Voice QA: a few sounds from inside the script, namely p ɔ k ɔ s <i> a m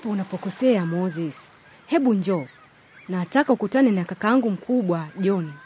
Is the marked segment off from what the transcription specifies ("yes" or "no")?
yes